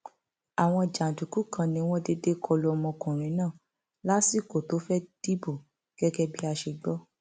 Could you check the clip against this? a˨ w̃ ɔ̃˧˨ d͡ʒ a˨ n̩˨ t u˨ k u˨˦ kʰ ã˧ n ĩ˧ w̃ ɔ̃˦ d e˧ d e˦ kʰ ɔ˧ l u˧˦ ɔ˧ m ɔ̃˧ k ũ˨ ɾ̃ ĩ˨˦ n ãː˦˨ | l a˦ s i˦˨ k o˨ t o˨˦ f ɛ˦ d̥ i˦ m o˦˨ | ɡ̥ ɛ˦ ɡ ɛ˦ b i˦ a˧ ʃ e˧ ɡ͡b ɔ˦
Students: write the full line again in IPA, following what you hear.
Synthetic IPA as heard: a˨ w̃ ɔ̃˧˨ d͡ʒ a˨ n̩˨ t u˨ k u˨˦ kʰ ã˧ n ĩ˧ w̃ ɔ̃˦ d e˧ d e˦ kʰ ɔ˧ l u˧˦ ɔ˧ m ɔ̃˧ k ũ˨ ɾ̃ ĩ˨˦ n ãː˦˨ | l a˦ s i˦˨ k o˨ t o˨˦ f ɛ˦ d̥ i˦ b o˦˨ | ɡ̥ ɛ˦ ɡ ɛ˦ b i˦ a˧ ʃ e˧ ɡ͡b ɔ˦